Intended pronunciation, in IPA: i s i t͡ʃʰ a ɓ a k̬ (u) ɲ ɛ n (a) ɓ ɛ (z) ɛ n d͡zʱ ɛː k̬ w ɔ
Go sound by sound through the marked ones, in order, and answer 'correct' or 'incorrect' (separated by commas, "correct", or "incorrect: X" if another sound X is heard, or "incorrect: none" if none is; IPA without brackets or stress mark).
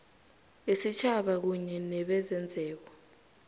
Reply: correct, incorrect: ɛ, correct